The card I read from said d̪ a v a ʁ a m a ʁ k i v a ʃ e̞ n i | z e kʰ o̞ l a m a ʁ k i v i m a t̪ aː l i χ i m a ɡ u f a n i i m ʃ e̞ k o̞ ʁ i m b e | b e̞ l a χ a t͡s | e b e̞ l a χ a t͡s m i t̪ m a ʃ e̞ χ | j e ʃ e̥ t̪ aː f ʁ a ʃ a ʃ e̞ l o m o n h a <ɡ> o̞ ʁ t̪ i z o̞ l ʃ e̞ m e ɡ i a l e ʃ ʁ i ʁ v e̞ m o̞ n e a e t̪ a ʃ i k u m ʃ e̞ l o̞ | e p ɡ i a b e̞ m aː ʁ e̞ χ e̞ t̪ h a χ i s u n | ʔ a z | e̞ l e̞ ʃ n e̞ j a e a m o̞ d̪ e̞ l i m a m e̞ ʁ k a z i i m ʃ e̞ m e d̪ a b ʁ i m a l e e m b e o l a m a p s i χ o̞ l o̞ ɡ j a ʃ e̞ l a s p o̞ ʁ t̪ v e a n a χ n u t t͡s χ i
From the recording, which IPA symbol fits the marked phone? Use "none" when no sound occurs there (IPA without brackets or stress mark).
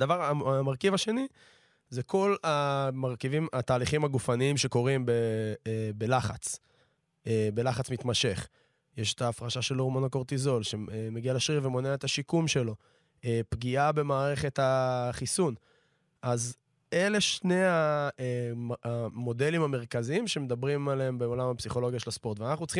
k